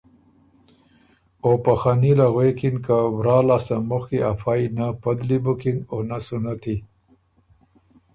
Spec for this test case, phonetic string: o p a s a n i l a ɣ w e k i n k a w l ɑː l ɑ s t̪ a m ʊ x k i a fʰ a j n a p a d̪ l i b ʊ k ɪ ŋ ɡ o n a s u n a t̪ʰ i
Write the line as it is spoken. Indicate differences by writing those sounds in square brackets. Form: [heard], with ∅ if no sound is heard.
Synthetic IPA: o p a [x] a n i l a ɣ w e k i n k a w [ɾ] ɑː l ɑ s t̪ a m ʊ x k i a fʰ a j n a p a d̪ l i b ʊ k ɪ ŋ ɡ o n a s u n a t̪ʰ i